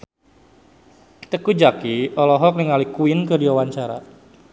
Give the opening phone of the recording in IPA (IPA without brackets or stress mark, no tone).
t̪